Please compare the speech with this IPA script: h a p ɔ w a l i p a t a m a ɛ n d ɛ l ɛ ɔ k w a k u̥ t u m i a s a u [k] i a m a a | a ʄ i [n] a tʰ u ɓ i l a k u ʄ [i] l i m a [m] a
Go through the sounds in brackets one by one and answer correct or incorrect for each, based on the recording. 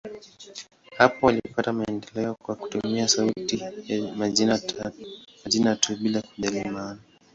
incorrect, correct, incorrect, incorrect

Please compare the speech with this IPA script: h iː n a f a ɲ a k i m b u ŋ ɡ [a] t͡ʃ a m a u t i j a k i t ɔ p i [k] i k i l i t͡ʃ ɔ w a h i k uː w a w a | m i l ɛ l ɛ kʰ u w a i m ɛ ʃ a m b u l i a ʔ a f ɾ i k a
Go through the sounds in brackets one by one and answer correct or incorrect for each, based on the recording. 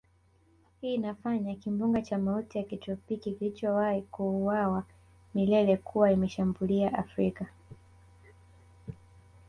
correct, correct

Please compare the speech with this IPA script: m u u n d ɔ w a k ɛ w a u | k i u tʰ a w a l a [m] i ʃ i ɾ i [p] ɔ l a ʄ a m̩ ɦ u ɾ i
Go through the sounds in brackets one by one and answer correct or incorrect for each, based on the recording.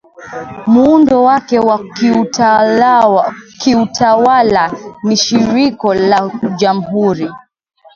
incorrect, incorrect

